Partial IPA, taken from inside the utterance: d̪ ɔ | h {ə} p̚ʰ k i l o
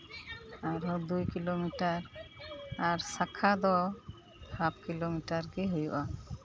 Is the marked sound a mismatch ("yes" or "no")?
yes